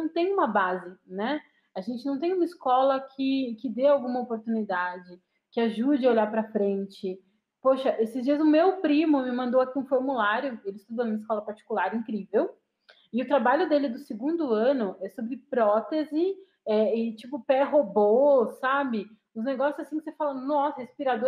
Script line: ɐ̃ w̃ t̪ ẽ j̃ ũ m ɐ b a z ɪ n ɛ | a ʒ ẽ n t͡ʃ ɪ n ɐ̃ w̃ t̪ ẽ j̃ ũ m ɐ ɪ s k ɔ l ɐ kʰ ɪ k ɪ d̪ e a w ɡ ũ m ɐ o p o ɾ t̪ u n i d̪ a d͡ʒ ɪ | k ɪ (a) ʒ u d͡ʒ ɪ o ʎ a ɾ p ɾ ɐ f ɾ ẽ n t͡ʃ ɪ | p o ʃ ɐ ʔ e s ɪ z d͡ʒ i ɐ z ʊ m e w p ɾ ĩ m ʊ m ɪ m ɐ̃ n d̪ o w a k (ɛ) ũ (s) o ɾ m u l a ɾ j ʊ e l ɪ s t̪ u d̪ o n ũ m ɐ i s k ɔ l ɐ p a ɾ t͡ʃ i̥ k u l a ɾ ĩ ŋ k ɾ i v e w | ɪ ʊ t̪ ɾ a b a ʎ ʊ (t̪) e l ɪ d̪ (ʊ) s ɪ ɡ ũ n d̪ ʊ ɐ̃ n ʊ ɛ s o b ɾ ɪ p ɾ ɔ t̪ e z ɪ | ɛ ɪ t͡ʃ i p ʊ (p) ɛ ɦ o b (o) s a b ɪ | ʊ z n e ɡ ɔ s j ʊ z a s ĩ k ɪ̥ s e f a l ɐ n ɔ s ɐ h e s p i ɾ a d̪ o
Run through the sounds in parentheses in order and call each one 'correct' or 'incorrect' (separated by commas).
correct, incorrect, incorrect, incorrect, correct, correct, correct